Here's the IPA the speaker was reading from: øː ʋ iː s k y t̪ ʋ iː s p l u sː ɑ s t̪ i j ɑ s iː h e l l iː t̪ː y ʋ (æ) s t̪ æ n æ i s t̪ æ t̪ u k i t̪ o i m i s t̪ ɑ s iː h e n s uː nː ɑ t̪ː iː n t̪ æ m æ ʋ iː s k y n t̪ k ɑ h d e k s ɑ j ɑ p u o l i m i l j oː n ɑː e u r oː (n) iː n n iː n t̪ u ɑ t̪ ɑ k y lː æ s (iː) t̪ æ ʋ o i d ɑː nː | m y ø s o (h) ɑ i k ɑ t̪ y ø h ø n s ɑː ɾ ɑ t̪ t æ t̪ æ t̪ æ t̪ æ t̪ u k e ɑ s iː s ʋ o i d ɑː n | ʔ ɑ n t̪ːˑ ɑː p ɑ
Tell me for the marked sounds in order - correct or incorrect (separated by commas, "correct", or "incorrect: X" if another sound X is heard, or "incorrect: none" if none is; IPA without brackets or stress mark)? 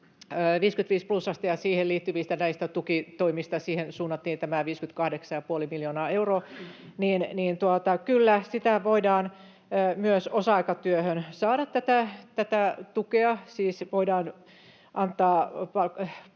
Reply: incorrect: i, correct, incorrect: i, incorrect: s